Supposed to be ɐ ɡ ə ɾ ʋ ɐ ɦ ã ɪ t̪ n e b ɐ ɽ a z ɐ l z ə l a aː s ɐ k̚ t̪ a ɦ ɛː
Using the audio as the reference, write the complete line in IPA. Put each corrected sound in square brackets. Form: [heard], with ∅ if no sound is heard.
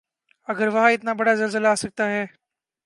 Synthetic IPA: ɐ ɡ ə ɾ ʋ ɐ ɦ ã ɪ t̪ n [a] b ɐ ɽ a z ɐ l z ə l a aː s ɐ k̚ t̪ a ɦ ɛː